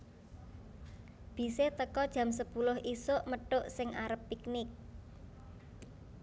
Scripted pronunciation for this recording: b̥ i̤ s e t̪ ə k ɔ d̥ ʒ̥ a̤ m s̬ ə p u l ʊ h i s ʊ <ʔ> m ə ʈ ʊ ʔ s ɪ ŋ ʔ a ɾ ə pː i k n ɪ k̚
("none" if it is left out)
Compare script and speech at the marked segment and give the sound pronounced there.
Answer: ʔ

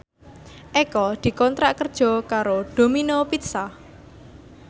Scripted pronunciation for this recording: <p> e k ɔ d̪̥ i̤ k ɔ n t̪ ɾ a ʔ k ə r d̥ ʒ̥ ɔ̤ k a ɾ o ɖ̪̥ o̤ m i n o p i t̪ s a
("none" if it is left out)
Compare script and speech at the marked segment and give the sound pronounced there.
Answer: ʔ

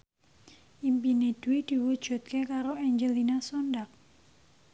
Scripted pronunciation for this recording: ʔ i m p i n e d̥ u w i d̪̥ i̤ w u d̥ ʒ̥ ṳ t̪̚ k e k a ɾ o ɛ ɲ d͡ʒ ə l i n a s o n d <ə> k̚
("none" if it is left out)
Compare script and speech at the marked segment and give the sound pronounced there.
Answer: a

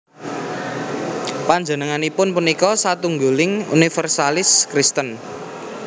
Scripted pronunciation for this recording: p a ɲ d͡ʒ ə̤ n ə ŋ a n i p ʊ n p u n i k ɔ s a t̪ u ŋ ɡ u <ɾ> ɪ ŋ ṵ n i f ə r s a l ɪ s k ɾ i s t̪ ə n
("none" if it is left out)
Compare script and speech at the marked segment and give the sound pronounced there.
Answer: l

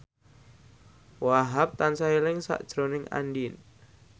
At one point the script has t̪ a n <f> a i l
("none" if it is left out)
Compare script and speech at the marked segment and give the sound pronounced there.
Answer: s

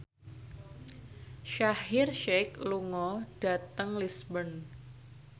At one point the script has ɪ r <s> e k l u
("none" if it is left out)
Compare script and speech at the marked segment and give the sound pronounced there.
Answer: ʃ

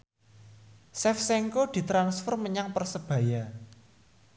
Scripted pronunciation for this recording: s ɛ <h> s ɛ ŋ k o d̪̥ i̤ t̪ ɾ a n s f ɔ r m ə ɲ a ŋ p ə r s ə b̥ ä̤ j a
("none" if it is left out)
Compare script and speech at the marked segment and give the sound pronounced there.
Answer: f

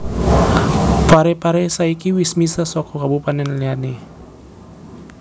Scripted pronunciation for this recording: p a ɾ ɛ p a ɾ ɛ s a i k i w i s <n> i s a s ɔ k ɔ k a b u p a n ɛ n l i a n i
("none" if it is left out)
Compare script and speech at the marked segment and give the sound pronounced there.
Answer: m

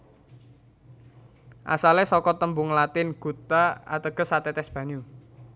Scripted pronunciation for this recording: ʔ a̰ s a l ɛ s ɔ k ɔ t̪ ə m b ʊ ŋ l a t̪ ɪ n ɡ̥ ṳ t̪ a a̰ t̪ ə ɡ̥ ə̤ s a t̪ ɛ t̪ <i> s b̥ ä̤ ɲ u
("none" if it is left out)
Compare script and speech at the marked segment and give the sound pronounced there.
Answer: ɛ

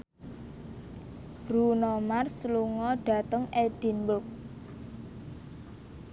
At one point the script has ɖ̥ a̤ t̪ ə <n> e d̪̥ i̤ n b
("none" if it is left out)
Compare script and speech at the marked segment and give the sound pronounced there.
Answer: ŋ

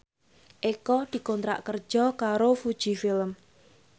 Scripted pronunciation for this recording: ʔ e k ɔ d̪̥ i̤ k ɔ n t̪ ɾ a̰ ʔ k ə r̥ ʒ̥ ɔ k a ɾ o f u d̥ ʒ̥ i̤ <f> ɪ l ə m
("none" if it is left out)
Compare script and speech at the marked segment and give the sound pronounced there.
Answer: f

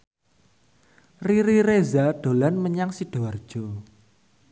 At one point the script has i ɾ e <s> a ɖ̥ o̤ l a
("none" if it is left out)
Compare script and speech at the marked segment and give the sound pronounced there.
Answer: z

